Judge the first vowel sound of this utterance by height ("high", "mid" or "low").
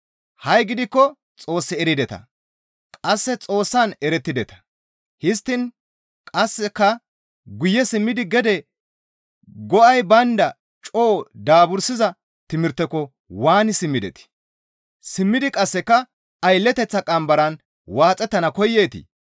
low